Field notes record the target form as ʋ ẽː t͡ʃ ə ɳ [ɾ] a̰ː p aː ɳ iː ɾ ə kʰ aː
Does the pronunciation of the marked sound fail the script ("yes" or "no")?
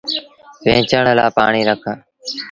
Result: yes